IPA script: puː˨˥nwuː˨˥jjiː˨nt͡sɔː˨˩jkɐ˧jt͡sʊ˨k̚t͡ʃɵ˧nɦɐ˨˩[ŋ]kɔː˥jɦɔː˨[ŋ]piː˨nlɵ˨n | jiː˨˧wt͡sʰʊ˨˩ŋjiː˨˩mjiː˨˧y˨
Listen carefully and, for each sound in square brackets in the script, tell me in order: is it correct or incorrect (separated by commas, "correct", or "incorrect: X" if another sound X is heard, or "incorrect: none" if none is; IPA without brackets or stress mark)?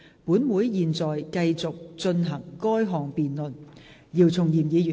correct, correct